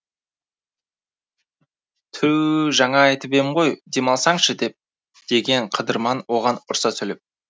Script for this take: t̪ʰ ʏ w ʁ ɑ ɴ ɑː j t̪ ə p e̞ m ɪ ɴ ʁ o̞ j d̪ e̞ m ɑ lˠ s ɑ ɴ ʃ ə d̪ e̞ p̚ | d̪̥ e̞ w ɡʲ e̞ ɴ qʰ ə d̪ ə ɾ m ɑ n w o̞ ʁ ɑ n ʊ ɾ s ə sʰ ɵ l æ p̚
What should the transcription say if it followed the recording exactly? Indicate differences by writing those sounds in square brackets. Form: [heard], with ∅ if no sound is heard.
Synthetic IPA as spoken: t̪ʰ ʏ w [ʒ] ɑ ɴ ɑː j t̪ ə p e̞ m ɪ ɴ ʁ o̞ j d̪ e̞ m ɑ lˠ s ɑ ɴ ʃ ə d̪ e̞ p̚ | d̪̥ e̞ [∅] ɡʲ e̞ ɴ qʰ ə d̪ ə ɾ m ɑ n w o̞ ʁ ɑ n ʊ ɾ s [ɑ] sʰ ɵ l [e] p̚